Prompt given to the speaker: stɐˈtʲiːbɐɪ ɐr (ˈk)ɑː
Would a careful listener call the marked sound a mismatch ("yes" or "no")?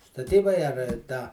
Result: yes